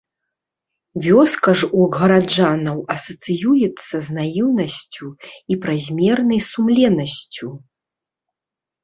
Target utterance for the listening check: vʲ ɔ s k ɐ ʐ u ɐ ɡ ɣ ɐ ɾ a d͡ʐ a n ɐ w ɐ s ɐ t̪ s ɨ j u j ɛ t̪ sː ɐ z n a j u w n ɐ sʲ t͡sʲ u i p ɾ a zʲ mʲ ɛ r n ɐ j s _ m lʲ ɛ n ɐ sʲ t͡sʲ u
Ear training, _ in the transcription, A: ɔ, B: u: B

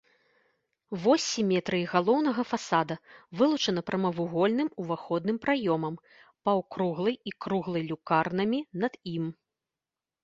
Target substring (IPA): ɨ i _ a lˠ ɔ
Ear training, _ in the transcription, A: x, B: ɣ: B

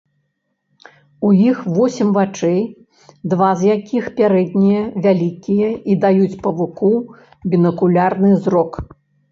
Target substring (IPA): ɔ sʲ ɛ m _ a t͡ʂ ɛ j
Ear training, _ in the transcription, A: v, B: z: A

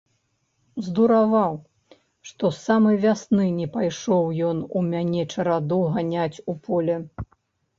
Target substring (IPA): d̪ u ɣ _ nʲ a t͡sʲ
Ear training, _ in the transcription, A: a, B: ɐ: A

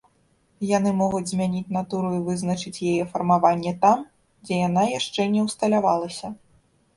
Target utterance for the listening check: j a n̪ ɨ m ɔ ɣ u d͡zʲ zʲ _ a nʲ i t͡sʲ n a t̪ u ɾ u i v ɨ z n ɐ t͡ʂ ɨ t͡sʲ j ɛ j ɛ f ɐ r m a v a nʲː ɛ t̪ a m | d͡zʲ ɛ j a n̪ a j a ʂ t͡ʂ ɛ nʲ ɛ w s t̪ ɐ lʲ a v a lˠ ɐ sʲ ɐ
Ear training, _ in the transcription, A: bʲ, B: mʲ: B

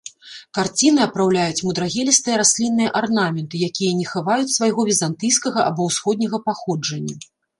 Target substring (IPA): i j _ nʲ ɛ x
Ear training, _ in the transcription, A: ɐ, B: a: A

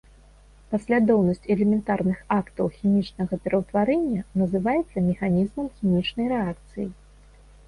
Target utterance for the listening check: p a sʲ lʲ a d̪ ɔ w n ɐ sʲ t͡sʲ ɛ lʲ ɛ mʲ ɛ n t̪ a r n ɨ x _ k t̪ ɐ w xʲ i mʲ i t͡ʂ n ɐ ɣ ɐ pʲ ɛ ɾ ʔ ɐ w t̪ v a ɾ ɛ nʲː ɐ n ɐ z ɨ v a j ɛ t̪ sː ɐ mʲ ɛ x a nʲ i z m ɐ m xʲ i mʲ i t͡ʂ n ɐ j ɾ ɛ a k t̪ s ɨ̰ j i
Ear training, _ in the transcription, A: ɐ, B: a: B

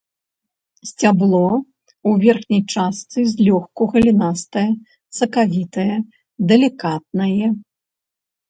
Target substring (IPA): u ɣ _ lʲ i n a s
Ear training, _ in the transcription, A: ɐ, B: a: A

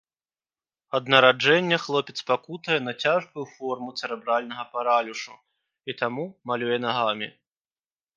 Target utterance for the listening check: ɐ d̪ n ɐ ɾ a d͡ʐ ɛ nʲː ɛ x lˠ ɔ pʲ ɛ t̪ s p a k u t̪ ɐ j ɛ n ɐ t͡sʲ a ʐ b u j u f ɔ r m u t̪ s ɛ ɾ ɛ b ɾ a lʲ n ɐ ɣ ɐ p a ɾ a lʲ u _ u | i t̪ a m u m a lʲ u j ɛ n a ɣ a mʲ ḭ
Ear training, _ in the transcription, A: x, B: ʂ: B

